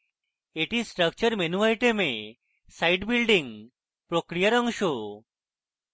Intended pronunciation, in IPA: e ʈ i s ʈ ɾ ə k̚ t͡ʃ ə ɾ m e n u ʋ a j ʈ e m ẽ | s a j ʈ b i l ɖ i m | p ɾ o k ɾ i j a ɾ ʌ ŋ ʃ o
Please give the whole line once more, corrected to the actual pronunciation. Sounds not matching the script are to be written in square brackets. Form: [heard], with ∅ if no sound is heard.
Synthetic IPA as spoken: e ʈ i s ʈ ɾ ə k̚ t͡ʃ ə ɾ m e n u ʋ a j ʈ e m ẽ | s a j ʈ b i l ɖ i [ŋ] | p ɾ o k ɾ i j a ɾ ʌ ŋ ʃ o